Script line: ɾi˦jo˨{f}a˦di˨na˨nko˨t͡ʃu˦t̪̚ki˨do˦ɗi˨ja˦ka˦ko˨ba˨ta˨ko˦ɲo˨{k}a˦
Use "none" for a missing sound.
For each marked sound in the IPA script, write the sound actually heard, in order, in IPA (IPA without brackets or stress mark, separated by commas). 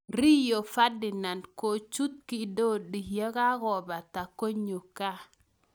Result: f, k